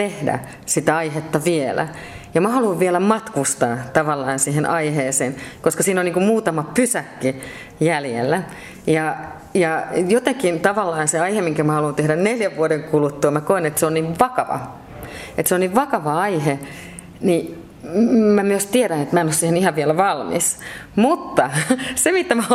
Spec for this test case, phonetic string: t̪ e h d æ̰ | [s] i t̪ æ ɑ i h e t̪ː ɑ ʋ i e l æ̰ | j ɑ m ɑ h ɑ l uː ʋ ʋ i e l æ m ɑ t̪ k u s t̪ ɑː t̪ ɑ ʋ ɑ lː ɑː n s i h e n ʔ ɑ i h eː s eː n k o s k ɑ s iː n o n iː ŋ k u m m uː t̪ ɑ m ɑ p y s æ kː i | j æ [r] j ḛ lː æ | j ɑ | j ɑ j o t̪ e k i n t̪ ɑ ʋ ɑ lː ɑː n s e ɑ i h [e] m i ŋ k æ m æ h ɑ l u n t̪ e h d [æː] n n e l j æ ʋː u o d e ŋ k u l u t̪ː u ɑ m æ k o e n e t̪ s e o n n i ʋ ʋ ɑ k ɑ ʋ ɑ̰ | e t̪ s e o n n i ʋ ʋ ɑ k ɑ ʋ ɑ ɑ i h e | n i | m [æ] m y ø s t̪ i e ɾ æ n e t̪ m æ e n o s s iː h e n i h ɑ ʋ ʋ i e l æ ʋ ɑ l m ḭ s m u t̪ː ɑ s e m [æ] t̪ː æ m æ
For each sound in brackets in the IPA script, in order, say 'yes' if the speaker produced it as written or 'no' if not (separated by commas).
yes, no, yes, no, yes, no